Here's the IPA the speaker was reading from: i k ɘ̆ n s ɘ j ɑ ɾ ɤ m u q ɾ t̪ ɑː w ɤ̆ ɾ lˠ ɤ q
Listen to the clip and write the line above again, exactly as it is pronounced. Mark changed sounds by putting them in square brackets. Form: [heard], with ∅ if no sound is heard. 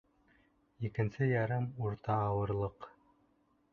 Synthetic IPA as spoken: i k ɘ̆ n s ɘ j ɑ ɾ ɤ m u [∅] ɾ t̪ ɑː w ɤ̆ ɾ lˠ ɤ q